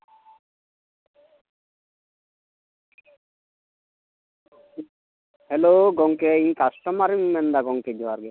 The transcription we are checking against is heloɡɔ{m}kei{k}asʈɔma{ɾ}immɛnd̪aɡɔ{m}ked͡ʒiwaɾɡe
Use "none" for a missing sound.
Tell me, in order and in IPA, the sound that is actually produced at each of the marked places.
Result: ŋ, k, ɾ, ŋ

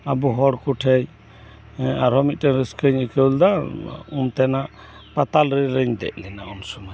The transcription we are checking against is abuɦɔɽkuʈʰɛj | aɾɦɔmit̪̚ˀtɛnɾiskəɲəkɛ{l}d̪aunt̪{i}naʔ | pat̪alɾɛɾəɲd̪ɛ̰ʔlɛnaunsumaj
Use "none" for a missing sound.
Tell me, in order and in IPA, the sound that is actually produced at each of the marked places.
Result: l, ɛ

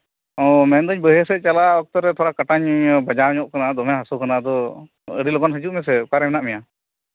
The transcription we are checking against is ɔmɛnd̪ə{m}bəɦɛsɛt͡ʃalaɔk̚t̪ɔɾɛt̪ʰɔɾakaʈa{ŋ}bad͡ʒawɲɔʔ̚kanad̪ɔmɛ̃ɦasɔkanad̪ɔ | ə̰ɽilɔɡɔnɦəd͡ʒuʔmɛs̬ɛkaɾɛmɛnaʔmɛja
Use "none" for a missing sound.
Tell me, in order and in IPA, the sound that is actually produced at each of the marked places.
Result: ɲ, ɲ

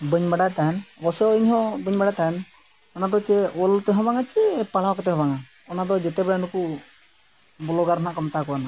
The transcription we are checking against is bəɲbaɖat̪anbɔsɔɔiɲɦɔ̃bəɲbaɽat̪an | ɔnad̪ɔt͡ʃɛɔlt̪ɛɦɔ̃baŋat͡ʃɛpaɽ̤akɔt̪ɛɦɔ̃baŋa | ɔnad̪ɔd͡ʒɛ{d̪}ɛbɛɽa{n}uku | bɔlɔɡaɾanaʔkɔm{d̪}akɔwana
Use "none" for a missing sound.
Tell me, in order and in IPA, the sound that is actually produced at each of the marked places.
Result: t̪, n, t̪

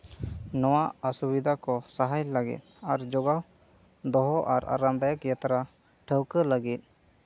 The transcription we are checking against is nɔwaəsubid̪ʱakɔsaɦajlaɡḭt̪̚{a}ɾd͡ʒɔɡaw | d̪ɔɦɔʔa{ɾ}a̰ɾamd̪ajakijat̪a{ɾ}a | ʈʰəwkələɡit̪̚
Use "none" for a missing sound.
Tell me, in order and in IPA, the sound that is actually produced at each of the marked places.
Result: a, ɾ, ɾ

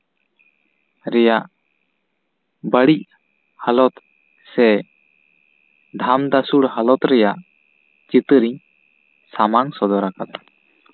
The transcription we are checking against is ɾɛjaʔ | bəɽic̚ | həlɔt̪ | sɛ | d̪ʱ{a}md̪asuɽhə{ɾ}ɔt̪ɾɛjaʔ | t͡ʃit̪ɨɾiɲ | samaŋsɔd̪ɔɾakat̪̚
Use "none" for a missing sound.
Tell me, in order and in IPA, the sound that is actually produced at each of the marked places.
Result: a, l

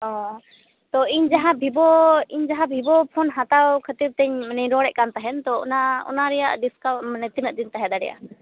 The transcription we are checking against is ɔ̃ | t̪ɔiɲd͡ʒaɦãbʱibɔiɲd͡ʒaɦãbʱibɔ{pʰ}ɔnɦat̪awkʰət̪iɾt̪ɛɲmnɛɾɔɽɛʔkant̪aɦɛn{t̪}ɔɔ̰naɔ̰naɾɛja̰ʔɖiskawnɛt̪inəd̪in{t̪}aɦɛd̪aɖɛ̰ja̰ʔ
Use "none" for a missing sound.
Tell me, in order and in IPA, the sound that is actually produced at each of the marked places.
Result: pʰ, t̪, t̪

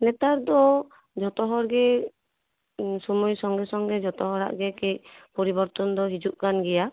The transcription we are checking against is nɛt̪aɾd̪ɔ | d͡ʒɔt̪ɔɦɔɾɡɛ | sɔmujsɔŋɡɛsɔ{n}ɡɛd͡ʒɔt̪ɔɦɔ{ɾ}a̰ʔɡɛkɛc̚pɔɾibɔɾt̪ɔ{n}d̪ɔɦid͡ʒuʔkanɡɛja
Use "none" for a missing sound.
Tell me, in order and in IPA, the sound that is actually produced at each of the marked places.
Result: ŋ, ɾ, n

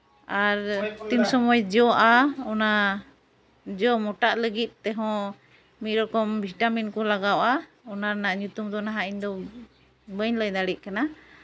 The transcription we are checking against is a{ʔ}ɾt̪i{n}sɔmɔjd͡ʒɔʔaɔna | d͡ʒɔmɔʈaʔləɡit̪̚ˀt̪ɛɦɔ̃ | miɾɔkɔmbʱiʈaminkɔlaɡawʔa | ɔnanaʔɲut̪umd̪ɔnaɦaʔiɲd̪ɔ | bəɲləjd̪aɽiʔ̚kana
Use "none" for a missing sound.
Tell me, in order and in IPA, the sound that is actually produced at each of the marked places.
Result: none, m

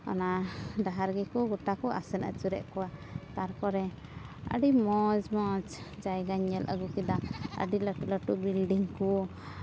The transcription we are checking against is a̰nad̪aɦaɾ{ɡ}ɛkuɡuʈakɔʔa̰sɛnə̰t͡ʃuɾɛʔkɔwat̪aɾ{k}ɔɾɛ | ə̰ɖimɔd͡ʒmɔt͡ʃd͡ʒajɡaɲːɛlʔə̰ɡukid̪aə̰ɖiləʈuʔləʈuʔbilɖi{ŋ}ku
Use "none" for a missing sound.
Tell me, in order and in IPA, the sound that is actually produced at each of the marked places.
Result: ɡ, k, ŋ

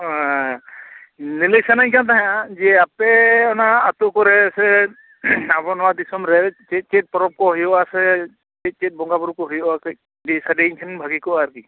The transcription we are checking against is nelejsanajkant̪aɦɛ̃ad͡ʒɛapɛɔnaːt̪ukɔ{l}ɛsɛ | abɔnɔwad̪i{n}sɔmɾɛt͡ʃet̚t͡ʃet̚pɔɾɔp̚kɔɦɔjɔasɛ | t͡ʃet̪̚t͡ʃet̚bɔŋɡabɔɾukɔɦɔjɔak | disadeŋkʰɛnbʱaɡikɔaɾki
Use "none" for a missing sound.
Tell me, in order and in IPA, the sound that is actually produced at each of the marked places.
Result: ɾ, none

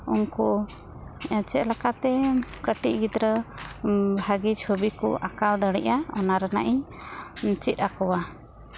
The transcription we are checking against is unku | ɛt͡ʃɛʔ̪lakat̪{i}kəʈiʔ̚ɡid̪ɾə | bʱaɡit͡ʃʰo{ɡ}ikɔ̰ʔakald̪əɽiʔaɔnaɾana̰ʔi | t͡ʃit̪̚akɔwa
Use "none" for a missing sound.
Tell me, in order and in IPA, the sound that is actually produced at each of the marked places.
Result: ɛ, b

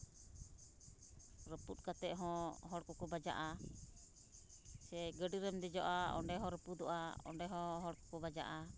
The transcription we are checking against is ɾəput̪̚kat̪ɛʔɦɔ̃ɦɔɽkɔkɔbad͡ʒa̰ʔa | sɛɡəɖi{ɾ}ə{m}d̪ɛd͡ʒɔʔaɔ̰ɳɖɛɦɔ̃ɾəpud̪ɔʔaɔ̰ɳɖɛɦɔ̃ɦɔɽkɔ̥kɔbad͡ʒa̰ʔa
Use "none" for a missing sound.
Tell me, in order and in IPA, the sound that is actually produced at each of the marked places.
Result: ɾ, m

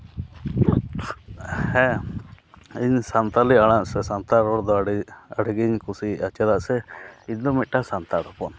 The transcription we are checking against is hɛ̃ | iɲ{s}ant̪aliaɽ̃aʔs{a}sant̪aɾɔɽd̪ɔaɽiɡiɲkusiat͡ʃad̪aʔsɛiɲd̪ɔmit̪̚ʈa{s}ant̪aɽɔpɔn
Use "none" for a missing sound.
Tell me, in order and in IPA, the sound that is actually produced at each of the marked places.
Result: s, ɛ, s

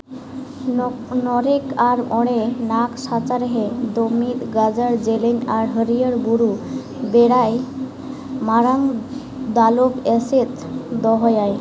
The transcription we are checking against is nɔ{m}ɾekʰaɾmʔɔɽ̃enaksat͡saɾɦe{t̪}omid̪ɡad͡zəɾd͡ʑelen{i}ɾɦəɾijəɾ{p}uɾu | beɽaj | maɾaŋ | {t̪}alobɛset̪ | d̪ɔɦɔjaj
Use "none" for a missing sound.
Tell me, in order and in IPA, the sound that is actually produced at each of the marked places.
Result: none, d̪, a, b, d̪

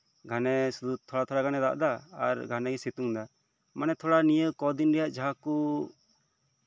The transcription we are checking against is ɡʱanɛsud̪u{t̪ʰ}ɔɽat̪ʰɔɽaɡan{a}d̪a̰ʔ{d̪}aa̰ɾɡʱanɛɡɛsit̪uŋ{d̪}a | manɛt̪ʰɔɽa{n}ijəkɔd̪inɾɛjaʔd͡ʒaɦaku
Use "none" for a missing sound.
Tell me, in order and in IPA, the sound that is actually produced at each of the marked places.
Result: t̪ʰ, ɛ, d̪, d̪, n

